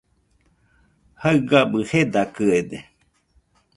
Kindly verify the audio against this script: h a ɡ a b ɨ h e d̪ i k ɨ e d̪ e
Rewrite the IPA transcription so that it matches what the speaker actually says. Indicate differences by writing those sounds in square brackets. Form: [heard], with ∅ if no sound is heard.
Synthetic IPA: h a ɡ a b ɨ h e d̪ [a] k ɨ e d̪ e